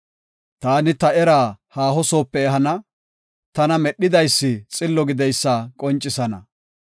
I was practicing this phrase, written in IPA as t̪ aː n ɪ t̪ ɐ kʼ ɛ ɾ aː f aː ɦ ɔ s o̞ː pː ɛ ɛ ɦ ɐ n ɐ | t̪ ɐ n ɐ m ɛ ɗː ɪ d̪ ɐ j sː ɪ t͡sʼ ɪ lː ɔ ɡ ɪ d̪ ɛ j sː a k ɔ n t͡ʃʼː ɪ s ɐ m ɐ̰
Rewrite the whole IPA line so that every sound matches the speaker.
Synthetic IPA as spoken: t̪ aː n ɪ t̪ ɐ ɛ ɾ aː h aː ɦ ɔ s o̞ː pː ɛ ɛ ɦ ɐ n ɐ | t̪ ɐ n ɐ m ɛ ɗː ɪ d̪ ɐ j sː ɪ t͡sʼ ɪ lː ɔ ɡ ɪ d̪ ɛ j sː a kʼ ɔ n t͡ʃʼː ɪ s ɐ n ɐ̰